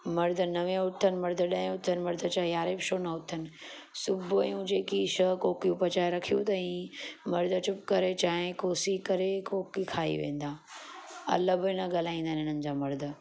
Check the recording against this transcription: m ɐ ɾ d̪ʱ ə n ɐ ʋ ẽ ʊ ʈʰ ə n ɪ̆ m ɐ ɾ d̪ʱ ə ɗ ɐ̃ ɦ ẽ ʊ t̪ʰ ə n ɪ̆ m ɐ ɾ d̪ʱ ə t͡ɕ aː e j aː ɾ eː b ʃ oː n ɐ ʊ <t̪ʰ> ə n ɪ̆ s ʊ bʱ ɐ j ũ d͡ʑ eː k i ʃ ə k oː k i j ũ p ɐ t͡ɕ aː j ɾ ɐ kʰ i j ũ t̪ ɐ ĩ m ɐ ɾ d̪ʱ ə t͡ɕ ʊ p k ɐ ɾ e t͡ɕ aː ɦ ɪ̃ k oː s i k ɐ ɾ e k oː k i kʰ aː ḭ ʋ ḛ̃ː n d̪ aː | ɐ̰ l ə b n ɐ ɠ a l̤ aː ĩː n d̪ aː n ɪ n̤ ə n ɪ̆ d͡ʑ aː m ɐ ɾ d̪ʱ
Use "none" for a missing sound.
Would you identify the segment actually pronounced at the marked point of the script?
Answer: t̪ʰ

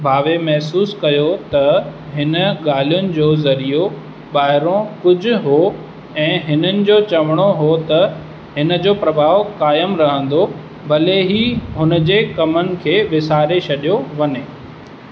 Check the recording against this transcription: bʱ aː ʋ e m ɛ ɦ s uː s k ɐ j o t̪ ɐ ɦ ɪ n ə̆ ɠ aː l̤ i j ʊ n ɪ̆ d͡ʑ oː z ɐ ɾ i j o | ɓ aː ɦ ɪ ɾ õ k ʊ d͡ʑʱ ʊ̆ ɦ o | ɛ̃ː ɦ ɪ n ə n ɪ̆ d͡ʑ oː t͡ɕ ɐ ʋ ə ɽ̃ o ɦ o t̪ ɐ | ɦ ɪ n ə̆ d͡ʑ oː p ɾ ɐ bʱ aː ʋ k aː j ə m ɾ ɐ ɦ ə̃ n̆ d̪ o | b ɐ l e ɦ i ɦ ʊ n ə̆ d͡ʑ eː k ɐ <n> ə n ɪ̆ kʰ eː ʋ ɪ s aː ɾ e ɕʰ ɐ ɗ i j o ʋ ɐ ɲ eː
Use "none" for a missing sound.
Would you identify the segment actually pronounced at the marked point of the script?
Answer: m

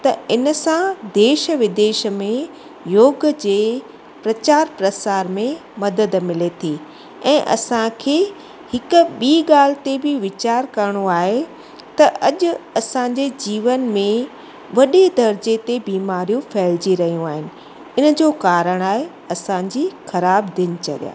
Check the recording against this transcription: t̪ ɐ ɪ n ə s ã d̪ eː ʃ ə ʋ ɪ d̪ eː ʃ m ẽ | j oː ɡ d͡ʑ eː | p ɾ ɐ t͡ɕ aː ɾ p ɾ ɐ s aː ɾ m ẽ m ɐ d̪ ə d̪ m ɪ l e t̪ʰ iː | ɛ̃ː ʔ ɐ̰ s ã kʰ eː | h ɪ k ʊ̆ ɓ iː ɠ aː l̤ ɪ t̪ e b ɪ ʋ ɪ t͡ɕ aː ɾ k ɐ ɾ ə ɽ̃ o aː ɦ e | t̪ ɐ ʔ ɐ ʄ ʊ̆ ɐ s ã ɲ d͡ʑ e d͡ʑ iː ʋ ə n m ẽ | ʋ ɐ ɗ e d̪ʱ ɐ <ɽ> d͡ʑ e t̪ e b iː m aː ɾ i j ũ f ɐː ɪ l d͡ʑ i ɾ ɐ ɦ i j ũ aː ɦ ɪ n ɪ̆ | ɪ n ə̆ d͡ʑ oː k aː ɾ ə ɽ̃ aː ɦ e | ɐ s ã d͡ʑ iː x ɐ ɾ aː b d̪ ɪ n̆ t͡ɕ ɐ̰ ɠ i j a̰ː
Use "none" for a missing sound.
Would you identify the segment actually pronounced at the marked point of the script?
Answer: ɾ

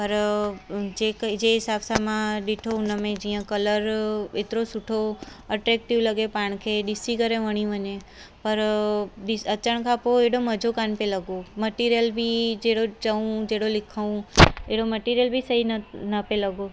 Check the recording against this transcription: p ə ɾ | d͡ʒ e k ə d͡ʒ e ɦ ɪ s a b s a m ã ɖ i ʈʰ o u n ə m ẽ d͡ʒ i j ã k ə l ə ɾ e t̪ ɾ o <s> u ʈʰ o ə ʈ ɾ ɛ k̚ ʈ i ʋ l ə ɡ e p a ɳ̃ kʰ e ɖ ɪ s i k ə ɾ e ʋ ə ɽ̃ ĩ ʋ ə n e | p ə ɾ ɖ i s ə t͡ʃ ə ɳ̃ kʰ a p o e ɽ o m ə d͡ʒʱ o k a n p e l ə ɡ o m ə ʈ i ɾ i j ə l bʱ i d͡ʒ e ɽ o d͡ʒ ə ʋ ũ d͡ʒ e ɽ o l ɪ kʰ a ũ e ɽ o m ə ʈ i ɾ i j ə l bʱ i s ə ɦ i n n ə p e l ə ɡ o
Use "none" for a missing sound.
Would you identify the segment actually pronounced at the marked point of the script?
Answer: s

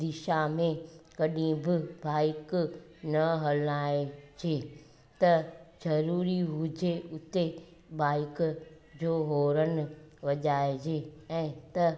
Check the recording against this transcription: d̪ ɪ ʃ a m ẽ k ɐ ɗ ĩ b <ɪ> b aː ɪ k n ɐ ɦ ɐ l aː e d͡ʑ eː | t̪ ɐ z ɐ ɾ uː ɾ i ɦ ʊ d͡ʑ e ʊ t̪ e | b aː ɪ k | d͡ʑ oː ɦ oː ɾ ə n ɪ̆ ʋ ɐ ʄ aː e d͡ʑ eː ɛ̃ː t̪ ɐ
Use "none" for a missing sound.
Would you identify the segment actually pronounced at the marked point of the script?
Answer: ɪ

